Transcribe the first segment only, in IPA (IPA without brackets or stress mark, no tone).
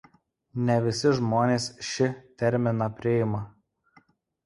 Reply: nʲ